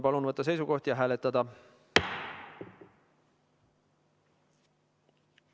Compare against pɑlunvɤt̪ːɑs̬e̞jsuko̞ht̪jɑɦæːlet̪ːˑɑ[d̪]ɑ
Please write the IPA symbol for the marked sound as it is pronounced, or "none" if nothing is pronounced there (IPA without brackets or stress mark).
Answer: d̪